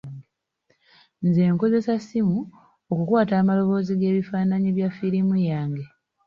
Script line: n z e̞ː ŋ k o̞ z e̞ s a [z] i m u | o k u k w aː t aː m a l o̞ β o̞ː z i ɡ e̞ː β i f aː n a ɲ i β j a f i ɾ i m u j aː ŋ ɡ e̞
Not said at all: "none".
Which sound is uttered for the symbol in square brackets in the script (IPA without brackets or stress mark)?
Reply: s